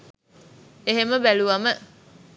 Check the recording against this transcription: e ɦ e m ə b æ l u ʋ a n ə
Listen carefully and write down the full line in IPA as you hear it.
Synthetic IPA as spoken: e ɦ e m ə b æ l u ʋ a m ə